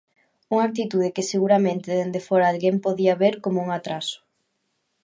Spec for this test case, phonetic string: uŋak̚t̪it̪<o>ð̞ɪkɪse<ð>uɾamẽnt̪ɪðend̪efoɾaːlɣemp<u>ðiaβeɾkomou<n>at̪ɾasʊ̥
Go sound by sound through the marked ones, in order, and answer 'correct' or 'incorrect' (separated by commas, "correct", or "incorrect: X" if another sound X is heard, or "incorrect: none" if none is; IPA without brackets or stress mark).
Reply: incorrect: u, incorrect: ɣ, incorrect: o, incorrect: ŋ